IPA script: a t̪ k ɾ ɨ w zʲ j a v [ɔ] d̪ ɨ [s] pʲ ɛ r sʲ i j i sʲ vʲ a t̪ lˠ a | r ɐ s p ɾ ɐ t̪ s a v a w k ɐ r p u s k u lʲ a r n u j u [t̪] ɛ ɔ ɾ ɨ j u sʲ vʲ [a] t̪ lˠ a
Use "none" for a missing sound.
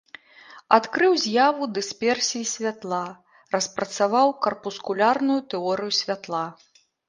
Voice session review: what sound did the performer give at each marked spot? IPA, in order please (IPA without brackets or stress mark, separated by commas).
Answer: u, s, t̪, a